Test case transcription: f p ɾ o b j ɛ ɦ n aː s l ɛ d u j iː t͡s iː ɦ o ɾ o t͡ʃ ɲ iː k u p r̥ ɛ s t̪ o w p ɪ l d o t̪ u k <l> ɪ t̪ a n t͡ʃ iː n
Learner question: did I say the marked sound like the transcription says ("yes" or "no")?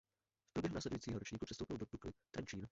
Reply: yes